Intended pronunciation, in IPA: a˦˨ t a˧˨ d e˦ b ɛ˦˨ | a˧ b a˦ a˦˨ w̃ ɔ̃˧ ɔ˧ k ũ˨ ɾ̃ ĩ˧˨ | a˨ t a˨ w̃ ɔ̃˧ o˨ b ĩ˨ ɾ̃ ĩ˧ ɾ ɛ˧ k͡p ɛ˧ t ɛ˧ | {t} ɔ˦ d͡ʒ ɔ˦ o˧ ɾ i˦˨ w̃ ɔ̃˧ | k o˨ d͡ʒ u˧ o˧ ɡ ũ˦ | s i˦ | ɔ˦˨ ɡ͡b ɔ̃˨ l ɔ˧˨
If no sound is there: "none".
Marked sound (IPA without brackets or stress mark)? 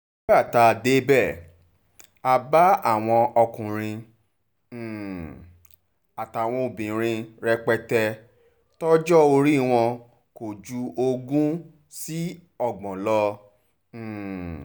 t